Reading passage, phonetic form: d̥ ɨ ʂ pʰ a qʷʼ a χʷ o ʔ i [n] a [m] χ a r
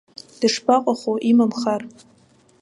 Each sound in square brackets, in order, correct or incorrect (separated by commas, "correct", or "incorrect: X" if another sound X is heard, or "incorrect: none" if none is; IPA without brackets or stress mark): incorrect: m, correct